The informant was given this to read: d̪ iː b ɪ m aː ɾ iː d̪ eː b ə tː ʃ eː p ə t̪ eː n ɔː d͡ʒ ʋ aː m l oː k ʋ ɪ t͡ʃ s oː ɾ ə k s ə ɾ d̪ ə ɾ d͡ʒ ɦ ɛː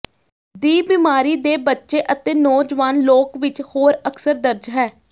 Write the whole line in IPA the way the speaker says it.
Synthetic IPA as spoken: d̪ iː b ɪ m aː ɾ iː d̪ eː b ə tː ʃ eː ʔ ə t̪ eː n ɔː d͡ʒ ʋ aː n l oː k ʋ ɪ t͡ʃ h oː ɾ ə k s ə ɾ d̪ ə ɾ d͡ʒ ɦ ɛː